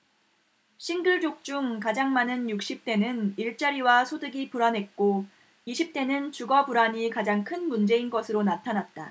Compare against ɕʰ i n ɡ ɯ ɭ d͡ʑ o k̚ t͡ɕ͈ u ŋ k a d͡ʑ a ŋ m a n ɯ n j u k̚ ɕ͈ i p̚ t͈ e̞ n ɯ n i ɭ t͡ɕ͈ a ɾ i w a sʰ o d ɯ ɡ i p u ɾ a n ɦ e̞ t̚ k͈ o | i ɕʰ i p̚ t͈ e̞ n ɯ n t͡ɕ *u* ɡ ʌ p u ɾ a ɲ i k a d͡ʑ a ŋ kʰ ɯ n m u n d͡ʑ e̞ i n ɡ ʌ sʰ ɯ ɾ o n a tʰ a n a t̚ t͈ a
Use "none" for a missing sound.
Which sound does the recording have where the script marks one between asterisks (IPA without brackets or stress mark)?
u